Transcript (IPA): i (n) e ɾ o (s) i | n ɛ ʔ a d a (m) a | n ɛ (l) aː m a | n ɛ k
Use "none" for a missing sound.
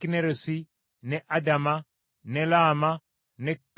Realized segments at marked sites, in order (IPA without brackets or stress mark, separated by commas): n, s, m, l